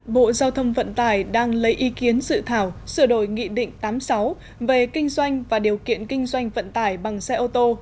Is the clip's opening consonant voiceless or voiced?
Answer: voiced